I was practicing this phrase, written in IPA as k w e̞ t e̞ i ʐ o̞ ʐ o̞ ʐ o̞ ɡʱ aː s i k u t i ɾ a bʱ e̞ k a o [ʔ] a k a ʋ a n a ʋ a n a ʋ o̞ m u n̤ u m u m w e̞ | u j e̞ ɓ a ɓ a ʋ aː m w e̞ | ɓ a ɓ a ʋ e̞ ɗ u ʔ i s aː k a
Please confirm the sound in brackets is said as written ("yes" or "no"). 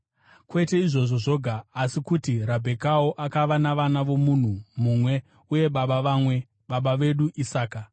yes